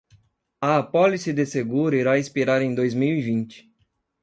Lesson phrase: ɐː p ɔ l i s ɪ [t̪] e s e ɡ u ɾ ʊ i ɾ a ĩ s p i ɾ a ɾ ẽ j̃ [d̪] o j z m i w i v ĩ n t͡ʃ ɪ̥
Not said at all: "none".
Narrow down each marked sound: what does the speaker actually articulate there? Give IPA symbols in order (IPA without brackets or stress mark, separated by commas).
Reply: d̪, d̪